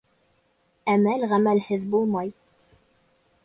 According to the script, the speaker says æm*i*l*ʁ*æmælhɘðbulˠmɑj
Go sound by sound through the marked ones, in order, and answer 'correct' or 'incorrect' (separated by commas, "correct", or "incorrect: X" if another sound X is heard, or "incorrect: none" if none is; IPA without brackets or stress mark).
incorrect: æ, correct